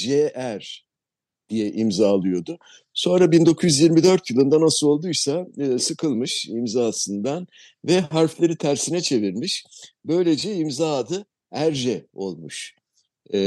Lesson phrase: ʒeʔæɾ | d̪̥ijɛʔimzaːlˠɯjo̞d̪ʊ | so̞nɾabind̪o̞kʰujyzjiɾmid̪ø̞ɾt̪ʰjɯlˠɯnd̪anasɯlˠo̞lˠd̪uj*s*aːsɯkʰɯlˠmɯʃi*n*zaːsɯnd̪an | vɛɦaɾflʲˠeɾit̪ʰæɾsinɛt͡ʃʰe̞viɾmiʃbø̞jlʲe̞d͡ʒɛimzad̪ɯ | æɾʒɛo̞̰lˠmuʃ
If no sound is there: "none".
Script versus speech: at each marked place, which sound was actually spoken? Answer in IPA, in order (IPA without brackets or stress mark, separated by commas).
s, m